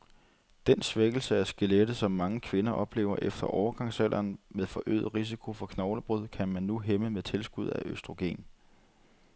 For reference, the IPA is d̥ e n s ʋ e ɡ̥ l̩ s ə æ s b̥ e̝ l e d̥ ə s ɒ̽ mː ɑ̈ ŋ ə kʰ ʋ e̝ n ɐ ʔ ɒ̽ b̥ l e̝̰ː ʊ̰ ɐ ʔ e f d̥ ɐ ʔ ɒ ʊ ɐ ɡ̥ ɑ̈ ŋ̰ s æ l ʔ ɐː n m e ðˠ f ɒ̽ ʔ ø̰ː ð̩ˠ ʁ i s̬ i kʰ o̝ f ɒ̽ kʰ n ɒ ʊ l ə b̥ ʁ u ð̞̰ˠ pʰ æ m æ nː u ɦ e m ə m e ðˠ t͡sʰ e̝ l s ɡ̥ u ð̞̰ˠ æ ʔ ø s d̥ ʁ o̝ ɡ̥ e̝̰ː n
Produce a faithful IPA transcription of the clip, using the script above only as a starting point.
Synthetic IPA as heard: d̥ e n s ʋ e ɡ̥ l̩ s ə æ s ɡ̥ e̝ l e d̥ ə s ɒ̽ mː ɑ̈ ŋ ə kʰ ʋ e̝ n ɐ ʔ ɒ̽ b̥ l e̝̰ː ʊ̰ ɐ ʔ e f d̥ ɐ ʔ ɒ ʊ ɐ ɡ̥ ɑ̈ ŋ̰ s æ l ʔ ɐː n m e ðˠ f ɒ̽ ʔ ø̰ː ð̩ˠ ʁ i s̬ i kʰ o̝ f ɒ̽ kʰ n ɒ ʊ l ə b̥ ʁ u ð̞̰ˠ kʰ æ m æ nː u ɦ e m ə m e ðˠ t͡sʰ e̝ l s ɡ̥ u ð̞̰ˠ æ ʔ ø s d̥ ʁ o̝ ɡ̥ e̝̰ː n